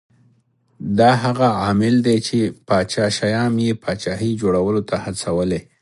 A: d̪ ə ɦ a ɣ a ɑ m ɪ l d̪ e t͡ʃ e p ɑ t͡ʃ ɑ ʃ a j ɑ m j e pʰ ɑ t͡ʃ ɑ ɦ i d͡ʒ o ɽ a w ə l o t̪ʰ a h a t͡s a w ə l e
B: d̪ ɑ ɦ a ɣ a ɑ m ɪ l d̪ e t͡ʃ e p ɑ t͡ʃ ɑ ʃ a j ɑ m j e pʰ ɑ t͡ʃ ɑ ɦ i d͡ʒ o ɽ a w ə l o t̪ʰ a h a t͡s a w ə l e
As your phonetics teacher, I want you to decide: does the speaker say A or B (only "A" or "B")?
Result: B